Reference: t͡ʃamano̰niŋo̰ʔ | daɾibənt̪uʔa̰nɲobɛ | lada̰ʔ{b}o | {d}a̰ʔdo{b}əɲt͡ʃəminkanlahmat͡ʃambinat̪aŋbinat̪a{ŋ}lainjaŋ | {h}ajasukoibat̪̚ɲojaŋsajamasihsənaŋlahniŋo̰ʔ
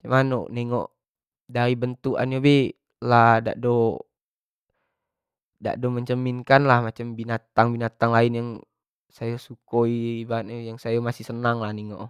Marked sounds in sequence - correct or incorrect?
incorrect: d, correct, incorrect: m, correct, incorrect: s

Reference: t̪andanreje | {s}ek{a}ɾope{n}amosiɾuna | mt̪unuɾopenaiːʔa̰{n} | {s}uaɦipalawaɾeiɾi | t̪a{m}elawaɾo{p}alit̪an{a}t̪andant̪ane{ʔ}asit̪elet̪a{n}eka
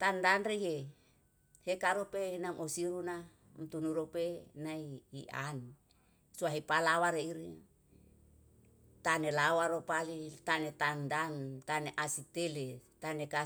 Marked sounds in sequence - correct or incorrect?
incorrect: h, correct, correct, correct, correct, incorrect: n, correct, incorrect: e, correct, correct

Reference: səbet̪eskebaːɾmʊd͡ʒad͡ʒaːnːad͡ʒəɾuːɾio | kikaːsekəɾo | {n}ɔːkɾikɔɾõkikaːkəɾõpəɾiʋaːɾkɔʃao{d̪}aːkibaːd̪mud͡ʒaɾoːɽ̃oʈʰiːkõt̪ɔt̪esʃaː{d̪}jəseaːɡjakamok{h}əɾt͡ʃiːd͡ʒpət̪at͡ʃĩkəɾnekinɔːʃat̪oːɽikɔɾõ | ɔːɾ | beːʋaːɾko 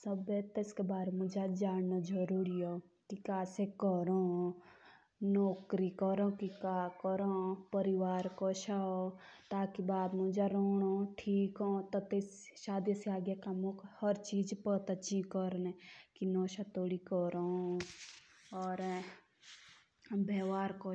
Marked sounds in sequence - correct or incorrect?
correct, incorrect: t̪, correct, correct

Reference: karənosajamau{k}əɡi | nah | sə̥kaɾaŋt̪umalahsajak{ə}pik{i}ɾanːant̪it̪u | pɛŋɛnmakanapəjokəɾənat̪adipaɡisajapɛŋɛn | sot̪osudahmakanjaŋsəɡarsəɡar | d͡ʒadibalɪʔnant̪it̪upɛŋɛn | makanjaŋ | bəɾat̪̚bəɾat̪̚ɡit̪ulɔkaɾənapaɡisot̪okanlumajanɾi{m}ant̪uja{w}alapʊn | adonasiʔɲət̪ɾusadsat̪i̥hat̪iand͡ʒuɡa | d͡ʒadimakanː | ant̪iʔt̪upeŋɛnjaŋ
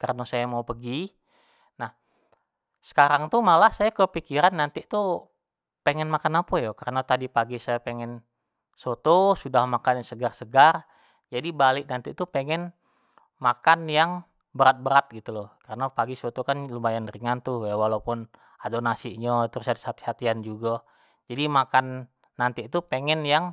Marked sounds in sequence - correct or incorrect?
incorrect: p, correct, correct, incorrect: ŋ, correct

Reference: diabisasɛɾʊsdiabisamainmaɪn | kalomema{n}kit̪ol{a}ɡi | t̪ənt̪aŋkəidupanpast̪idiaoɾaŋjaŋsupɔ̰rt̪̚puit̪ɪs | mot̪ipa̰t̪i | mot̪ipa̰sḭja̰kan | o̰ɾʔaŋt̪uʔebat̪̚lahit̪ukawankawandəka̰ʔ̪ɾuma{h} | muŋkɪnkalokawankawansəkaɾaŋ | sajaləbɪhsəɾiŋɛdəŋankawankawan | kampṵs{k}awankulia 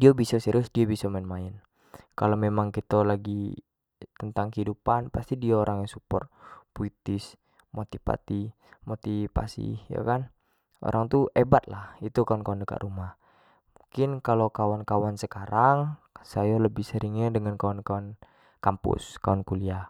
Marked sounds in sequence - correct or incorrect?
incorrect: ŋ, correct, correct, correct

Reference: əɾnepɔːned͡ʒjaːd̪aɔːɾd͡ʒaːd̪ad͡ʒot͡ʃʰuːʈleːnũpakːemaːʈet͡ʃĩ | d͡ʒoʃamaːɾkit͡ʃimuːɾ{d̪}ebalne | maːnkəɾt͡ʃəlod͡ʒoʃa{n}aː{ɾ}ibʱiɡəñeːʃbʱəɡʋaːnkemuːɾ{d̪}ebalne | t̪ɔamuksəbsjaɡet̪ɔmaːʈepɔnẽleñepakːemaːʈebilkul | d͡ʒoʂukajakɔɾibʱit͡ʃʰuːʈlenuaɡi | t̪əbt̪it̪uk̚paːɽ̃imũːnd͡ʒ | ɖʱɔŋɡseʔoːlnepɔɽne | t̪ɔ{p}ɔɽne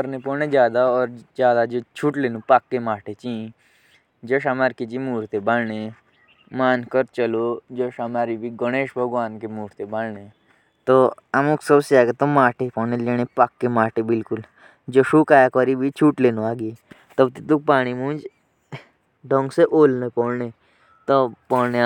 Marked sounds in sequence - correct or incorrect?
incorrect: t̪, incorrect: m, correct, incorrect: t̪, correct

